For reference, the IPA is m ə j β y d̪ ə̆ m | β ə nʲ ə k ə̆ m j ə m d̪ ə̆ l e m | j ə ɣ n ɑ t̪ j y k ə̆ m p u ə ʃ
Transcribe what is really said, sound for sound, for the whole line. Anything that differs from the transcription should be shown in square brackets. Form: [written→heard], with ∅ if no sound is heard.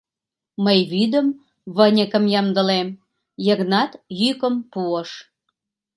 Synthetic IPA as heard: m ə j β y d̪ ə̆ m | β ə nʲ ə k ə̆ m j [ə→ɑ] m d̪ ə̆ l e m | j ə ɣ n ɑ t̪ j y k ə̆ m p u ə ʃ